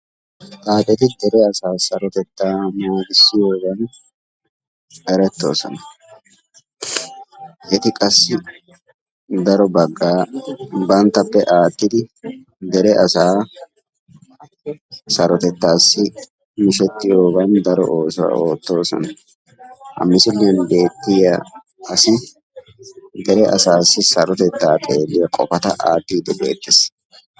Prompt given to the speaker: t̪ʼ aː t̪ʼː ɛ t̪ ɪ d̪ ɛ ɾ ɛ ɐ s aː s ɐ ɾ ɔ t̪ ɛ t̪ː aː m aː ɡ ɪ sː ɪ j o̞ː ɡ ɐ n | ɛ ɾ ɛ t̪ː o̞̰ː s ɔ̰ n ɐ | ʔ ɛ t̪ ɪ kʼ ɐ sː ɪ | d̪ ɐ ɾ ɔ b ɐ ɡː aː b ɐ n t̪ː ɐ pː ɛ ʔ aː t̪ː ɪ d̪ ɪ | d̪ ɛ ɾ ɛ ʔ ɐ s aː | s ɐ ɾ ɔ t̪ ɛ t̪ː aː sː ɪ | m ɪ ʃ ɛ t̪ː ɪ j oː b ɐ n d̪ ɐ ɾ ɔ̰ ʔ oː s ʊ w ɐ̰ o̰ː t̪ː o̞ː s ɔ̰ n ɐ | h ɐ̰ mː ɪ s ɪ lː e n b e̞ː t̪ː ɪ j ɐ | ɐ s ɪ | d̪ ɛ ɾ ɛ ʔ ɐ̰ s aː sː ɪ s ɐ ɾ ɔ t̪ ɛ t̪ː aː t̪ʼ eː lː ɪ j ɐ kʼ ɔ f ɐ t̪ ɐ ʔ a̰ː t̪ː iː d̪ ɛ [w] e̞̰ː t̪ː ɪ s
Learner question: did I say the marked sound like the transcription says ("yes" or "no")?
no